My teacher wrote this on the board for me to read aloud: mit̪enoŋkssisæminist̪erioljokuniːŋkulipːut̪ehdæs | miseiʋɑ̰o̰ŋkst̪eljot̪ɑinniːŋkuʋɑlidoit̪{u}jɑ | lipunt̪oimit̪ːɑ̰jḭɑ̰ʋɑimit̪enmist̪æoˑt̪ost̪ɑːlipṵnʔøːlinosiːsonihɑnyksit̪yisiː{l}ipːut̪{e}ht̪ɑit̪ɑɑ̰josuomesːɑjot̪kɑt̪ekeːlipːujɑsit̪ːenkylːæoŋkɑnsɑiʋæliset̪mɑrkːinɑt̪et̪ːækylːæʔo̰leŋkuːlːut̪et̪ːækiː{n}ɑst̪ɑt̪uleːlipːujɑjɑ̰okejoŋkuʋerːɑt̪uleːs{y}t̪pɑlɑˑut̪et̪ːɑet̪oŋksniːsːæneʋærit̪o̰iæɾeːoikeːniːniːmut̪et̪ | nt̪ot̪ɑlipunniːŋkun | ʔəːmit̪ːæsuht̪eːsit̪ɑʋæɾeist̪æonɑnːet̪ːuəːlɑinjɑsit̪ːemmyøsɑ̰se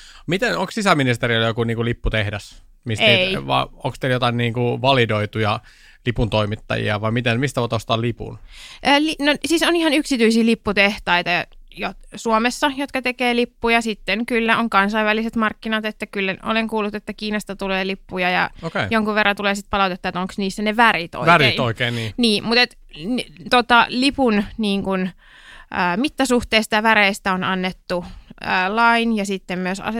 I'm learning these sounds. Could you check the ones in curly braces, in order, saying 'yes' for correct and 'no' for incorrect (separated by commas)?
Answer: yes, yes, yes, yes, no